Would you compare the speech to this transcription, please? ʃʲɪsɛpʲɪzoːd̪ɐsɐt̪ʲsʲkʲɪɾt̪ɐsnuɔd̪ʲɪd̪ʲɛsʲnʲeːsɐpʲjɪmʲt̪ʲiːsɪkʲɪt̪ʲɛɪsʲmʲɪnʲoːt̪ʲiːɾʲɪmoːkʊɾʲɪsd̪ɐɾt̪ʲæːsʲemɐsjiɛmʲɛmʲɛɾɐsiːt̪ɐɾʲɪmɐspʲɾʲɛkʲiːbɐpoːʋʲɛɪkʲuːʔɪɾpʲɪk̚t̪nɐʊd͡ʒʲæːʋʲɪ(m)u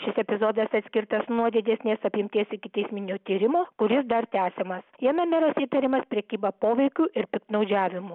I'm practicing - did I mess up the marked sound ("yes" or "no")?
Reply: no